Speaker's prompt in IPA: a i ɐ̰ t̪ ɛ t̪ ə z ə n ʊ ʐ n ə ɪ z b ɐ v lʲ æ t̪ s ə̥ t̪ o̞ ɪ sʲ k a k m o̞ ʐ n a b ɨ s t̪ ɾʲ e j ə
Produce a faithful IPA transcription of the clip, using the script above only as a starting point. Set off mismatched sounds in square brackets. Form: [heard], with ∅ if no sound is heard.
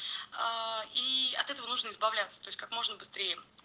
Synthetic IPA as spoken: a i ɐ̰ t̪ ɛ t̪ ə [v] ə n [u] ʐ n ə ɪ z b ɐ v lʲ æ t̪ s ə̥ t̪ o̞ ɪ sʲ k a k m o̞ ʐ n [ə] b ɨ s t̪ ɾʲ e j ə